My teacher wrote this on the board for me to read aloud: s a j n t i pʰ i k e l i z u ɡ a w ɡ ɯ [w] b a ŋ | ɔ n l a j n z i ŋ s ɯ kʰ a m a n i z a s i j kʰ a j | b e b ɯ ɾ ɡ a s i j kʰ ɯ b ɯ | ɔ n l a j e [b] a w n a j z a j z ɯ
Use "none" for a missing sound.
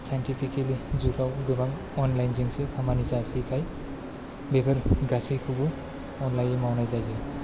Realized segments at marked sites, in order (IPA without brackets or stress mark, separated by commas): none, m